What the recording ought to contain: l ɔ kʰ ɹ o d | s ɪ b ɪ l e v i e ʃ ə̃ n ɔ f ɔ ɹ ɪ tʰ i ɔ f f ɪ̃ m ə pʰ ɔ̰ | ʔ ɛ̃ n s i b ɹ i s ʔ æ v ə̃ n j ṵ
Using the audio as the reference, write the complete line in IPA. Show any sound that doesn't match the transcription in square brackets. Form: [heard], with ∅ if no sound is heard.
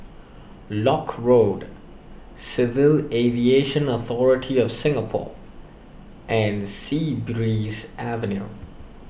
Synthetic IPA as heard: l ɔ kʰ ɹ o d | s ɪ [v] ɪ l e v i e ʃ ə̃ n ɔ [θ] ɔ ɹ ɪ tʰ i ɔ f [s] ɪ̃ [ŋ] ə pʰ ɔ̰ | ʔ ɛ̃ n s i b ɹ i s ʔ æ v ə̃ n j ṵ